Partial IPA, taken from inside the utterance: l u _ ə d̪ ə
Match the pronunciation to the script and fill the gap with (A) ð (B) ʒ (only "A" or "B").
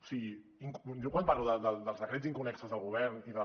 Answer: A